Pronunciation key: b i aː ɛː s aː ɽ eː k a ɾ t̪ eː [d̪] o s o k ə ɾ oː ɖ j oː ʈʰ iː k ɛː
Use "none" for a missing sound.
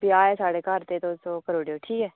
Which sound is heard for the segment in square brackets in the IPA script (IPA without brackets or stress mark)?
t̪